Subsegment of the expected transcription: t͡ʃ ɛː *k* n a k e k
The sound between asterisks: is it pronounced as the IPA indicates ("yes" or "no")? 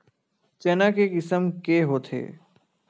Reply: no